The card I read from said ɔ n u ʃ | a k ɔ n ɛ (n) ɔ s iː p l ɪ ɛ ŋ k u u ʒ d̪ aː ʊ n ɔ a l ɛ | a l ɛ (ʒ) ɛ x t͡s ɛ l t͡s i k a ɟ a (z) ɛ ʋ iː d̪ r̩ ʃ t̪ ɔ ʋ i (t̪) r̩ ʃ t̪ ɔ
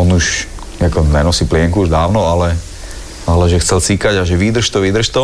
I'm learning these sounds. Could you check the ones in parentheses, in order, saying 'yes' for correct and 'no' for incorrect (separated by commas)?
yes, yes, no, no